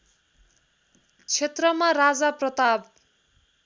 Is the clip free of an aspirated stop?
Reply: no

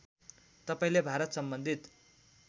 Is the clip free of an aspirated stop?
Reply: yes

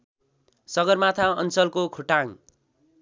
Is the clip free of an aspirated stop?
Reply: no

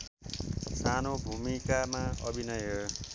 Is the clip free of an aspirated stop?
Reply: yes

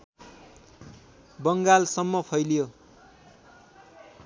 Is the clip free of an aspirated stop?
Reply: no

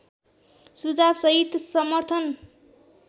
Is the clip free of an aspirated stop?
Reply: no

